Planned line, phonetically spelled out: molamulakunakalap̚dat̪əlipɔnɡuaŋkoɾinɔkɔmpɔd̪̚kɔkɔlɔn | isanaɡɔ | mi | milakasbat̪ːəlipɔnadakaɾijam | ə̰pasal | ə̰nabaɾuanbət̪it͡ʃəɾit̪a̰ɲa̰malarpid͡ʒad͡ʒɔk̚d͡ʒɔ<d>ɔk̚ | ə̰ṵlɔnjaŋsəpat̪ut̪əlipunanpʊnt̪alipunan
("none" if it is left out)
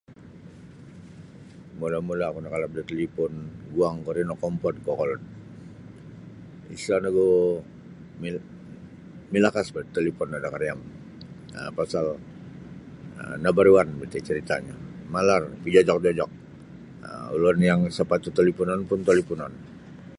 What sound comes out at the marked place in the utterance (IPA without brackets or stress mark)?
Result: d͡ʒ